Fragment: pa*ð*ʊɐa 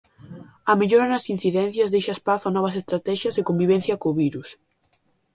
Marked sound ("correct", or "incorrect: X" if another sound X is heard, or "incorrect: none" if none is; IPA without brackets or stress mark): incorrect: θ